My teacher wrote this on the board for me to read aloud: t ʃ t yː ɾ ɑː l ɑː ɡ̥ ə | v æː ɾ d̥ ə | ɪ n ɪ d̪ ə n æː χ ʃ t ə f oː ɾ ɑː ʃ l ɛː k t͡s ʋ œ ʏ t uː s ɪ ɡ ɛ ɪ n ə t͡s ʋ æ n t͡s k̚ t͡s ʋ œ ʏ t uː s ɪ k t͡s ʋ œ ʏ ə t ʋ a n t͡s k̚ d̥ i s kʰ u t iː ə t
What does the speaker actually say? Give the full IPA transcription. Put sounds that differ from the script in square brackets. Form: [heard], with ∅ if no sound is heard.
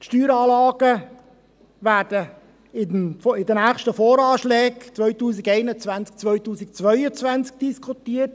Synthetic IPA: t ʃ t yː ɾ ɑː l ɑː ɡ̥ ə | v æː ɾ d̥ ə | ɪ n ɪ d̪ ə n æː χ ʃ t ə f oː ɾ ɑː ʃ l ɛː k t͡s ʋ œ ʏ t uː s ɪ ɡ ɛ ɪ n ə t͡s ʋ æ n t͡s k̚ t͡s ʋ œ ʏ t uː s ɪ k t͡s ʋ œ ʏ ə [t͡s] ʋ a n t͡s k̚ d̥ i s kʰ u t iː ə t